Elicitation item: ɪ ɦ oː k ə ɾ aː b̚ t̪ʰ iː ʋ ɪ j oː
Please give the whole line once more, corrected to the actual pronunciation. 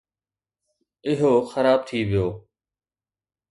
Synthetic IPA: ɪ ɦ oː x ə ɾ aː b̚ t̪ʰ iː ʋ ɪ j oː